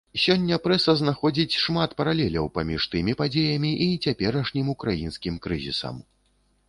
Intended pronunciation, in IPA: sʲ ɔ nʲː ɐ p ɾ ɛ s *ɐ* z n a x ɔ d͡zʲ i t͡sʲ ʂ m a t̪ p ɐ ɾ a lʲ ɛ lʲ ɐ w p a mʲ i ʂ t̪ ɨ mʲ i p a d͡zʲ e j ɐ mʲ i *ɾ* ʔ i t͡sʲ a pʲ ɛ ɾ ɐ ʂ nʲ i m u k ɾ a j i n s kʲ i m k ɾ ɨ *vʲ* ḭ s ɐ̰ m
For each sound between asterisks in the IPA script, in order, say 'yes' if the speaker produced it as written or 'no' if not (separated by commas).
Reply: yes, no, no